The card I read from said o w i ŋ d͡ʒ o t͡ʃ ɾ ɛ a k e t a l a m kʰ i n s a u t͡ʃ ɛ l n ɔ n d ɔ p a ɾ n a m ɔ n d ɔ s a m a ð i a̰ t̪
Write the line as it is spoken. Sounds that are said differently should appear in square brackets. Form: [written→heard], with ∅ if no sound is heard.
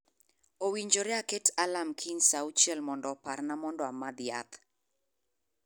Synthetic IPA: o w i [ŋ→ɲ] d͡ʒ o [t͡ʃ→∅] ɾ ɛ a k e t a l a m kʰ i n s a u t͡ʃ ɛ l [n→m] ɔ n d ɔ p a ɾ n a m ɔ n d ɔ [s→∅] a m a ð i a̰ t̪